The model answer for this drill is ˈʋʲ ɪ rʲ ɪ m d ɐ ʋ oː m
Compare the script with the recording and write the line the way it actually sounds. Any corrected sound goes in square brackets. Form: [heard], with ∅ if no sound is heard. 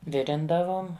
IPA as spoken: ˈʋʲ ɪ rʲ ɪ [n] d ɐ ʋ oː m